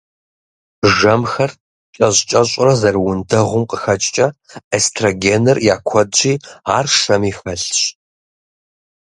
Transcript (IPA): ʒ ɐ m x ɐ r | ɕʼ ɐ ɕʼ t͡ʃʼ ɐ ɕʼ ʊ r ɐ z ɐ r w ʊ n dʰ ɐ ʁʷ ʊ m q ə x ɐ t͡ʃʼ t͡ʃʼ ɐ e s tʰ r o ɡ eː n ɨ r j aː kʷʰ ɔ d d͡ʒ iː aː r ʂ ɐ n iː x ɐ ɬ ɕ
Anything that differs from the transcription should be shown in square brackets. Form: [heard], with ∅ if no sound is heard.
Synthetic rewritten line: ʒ ɐ m x ɐ r | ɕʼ ɐ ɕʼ t͡ʃʼ ɐ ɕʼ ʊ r ɐ z ɐ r w ʊ n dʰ ɐ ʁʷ ʊ m q ə x ɐ t͡ʃʼ t͡ʃʼ ɐ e s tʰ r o ɡ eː n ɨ r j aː kʷʰ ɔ d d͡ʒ iː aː r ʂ ɐ [m] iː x ɐ ɬ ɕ

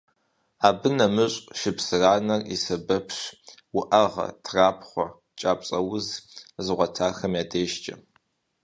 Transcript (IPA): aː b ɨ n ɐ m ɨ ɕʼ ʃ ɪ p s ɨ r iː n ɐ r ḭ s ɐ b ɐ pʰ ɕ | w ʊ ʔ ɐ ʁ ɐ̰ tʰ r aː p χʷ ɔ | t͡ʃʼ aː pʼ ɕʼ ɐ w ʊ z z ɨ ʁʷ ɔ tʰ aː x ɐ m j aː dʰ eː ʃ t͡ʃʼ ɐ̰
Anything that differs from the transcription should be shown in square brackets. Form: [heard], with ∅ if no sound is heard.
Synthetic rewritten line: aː b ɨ n ɐ m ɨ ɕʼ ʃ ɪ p s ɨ r [aː] n ɐ r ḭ s ɐ b ɐ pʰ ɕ | w ʊ ʔ ɐ ʁ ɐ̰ tʰ r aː p χʷ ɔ | t͡ʃʼ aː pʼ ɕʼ ɐ w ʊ z z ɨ ʁʷ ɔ tʰ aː x ɐ m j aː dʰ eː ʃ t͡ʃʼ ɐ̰

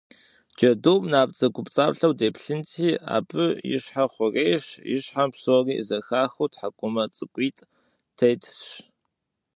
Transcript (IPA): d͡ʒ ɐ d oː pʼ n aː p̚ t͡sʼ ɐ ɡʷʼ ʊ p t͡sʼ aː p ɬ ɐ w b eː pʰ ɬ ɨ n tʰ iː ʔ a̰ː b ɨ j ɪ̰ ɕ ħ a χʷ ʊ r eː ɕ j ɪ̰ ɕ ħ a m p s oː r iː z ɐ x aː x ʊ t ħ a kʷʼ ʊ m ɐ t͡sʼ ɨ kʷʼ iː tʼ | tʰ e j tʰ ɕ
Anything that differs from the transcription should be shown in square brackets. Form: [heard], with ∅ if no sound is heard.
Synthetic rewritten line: d͡ʒ ɐ d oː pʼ n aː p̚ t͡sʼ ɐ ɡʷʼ ʊ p t͡sʼ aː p ɬ ɐ w [d] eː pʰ ɬ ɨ n tʰ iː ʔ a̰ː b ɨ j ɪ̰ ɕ ħ a χʷ ʊ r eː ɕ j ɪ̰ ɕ ħ a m p s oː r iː z ɐ x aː x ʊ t ħ a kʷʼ ʊ m ɐ t͡sʼ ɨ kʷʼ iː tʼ | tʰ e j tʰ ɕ

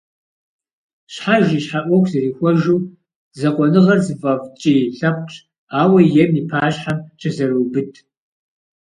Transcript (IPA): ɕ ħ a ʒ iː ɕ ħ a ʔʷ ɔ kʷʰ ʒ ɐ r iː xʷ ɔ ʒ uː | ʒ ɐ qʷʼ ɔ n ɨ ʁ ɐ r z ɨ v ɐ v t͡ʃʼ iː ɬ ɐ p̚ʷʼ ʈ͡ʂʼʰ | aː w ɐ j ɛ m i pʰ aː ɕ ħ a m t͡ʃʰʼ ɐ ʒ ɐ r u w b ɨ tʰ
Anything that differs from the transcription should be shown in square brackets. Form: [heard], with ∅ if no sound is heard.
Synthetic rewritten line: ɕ ħ a ʒ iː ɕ ħ a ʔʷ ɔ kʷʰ [z] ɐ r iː xʷ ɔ ʒ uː | [z] ɐ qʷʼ ɔ n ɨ ʁ ɐ r z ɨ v ɐ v t͡ʃʼ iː ɬ ɐ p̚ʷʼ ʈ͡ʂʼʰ | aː w ɐ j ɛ m i pʰ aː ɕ ħ a m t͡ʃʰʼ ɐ [z] ɐ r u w b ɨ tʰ

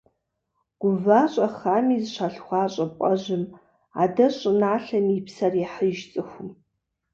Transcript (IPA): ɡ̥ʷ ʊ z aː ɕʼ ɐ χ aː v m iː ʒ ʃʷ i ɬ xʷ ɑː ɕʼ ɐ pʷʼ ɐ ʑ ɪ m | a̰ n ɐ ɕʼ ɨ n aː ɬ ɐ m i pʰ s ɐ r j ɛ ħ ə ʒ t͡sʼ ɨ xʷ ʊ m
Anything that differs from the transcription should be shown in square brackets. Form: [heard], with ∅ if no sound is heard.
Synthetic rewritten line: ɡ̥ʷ ʊ [v] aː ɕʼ ɐ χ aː [∅] m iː [z] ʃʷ [a] ɬ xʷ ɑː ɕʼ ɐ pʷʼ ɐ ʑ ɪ m | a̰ [d] ɐ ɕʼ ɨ n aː ɬ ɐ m i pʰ s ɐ r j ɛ ħ ə ʒ t͡sʼ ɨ xʷ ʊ m

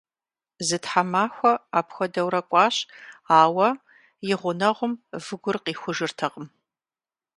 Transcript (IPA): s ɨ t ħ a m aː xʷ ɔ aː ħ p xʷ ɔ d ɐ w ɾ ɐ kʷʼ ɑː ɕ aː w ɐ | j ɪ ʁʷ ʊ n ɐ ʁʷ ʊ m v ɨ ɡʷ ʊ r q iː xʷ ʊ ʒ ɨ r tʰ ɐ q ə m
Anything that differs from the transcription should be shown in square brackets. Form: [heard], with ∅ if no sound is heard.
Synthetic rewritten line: [z] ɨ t ħ a m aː xʷ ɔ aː [∅] p xʷ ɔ d ɐ w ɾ ɐ kʷʼ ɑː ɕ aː w ɐ | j ɪ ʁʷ ʊ n ɐ ʁʷ ʊ m v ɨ ɡʷ ʊ r q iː xʷ ʊ ʒ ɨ r tʰ ɐ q ə m

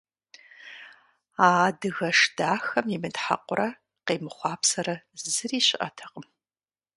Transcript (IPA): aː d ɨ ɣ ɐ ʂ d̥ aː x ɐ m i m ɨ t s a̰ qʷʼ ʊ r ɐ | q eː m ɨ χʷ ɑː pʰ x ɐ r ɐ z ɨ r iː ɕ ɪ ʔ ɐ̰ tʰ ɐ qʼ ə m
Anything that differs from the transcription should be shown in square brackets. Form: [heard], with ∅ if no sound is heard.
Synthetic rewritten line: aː d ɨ ɣ ɐ ʂ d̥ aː x ɐ m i m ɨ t [ħ] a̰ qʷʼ ʊ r ɐ | q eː m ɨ χʷ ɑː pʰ [s] ɐ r ɐ z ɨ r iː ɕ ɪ ʔ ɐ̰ tʰ ɐ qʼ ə m

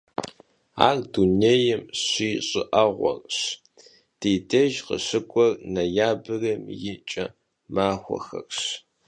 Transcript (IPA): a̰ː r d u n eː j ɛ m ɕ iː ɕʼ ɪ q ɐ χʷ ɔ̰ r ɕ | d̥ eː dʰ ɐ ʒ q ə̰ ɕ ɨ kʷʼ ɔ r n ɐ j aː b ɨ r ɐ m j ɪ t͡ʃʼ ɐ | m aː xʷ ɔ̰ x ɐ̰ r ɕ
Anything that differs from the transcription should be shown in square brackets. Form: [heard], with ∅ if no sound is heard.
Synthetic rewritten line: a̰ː r d u n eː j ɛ m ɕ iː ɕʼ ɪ [ʔ] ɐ [ʁʷ] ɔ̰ r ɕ | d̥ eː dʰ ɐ ʒ q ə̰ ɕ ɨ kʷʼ ɔ r n ɐ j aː b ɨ r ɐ m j ɪ t͡ʃʼ ɐ | m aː xʷ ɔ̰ x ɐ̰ r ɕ

